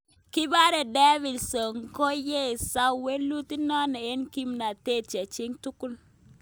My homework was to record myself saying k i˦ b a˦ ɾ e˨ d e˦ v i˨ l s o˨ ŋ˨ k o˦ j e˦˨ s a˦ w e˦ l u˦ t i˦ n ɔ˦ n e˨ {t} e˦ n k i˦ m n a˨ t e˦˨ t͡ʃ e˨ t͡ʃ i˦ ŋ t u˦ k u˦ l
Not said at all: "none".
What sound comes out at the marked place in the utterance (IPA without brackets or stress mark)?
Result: none